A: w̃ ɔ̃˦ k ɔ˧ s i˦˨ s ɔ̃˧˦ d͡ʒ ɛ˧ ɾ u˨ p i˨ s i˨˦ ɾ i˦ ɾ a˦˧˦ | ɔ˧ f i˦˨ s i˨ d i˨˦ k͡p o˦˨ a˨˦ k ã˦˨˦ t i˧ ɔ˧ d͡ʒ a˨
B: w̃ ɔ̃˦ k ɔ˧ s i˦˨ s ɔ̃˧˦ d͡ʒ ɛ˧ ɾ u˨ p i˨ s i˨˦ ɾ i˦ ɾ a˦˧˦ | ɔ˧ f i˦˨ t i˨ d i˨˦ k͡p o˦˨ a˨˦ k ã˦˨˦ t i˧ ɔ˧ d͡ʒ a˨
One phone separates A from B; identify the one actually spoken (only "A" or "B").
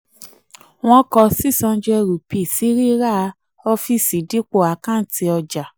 A